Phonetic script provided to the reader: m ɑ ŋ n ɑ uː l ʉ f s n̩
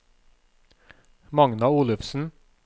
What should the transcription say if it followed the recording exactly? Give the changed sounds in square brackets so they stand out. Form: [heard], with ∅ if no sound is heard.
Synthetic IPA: m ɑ ŋ n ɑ uː l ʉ f s n̩